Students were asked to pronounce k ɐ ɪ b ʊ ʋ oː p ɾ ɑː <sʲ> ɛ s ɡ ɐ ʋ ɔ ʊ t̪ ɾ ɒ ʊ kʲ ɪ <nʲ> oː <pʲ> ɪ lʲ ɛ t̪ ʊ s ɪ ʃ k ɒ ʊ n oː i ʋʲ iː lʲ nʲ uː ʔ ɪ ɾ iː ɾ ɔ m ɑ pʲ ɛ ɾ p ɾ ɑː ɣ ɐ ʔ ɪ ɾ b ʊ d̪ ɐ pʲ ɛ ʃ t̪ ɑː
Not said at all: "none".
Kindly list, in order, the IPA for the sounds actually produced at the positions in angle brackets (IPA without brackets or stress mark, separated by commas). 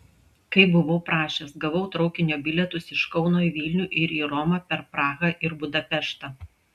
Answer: ʃʲ, nʲ, bʲ